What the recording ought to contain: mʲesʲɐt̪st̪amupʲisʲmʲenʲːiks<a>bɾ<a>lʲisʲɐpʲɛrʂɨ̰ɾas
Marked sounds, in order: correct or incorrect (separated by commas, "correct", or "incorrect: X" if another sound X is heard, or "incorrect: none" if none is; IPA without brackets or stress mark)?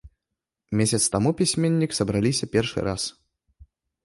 incorrect: ɐ, correct